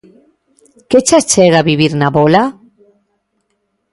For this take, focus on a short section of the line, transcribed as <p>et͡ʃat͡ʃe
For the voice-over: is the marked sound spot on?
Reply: no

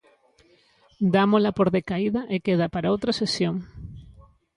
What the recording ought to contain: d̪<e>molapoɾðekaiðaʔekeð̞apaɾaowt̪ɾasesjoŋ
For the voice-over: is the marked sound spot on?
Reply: no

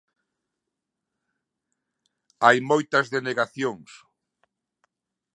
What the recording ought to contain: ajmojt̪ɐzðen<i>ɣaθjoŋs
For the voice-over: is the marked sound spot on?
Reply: no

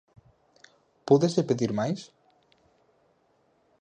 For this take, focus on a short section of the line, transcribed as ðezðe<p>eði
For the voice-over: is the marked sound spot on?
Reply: yes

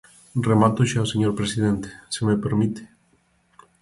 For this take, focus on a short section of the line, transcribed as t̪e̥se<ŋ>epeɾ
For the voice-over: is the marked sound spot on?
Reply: no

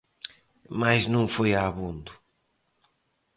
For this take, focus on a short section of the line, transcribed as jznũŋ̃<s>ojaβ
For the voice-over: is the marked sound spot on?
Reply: no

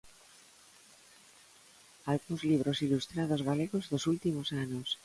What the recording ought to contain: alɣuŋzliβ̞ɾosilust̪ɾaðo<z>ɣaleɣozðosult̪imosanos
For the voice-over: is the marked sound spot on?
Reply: yes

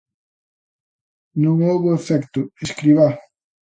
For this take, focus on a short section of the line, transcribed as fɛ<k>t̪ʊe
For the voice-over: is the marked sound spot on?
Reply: yes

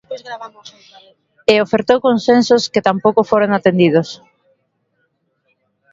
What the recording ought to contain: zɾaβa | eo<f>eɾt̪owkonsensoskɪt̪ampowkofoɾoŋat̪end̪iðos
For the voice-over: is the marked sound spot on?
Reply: yes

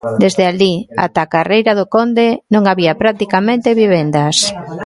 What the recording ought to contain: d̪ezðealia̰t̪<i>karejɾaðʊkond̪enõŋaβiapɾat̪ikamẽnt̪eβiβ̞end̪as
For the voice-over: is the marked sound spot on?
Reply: no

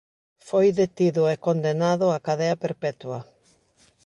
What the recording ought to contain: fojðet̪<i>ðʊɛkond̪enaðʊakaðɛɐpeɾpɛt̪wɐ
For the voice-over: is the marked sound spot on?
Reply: yes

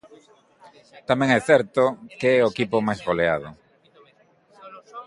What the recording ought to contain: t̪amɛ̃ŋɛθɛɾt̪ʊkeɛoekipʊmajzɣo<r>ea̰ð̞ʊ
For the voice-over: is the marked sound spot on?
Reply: no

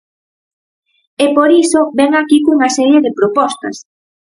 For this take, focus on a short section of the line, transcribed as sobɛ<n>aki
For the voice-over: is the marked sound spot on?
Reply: no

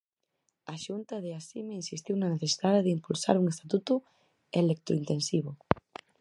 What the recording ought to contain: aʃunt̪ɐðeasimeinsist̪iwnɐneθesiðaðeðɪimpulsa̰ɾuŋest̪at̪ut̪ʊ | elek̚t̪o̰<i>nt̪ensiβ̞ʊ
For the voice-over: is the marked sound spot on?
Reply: yes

